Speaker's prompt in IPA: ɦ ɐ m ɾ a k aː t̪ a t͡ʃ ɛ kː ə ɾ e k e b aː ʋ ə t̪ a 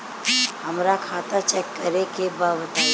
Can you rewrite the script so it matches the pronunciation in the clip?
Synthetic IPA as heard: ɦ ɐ m ɾ a kʰ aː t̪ a t͡ʃ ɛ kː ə ɾ e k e b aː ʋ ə t̪ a